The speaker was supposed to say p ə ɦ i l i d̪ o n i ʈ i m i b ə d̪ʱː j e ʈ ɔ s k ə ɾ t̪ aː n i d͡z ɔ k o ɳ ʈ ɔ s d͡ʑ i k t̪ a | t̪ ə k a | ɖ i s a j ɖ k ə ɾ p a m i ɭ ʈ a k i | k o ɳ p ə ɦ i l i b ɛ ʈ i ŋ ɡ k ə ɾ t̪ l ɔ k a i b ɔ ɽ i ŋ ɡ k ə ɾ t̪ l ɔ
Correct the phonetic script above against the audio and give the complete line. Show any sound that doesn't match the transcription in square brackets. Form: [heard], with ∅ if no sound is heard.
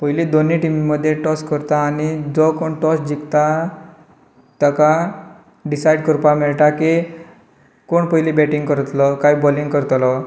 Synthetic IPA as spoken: p ə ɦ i l i d̪ o n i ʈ i m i [m] ə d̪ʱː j e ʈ ɔ s k ə ɾ t̪ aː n i d͡z ɔ k o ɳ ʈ ɔ s d͡ʑ i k t̪ a | t̪ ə k a | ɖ i s a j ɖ k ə ɾ p a m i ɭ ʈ a k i | k o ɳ p ə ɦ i l i b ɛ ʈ i ŋ ɡ k ə ɾ t̪ l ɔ k a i b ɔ [l] i ŋ ɡ k ə ɾ t̪ l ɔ